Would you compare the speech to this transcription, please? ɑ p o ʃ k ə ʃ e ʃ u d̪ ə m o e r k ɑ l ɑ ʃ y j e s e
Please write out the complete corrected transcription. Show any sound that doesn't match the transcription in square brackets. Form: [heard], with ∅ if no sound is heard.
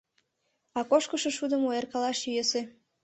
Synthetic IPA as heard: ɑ [k] o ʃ k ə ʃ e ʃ u d̪ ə m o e r k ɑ l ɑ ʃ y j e s e